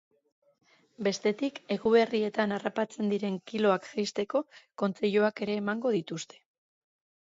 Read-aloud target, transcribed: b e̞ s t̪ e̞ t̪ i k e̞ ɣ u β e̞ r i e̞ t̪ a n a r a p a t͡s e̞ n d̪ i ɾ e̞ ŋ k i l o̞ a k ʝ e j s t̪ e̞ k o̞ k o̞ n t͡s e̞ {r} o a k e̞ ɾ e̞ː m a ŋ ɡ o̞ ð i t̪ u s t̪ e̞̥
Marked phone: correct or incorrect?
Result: incorrect